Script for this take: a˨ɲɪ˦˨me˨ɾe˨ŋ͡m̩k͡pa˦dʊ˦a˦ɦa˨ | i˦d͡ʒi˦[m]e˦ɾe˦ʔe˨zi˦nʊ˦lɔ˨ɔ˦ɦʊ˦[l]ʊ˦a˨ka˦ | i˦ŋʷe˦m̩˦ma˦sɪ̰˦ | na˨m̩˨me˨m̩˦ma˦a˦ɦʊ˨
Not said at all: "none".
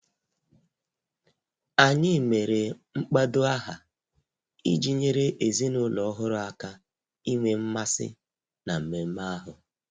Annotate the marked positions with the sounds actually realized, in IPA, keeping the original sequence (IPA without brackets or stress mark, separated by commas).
ɲ, ɾ